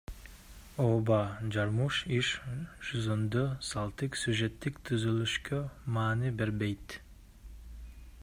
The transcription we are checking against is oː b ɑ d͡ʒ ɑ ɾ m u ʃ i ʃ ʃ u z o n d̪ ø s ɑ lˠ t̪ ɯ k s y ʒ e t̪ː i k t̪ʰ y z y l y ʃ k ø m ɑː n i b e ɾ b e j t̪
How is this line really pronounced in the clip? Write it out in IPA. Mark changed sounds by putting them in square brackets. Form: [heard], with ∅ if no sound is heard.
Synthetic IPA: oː b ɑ d͡ʒ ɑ ɾ m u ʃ i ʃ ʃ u z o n d̪ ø s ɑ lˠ t̪ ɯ k s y ʒ e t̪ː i k t̪ʰ y z y l y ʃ k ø m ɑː n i b e ɾ b e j t̪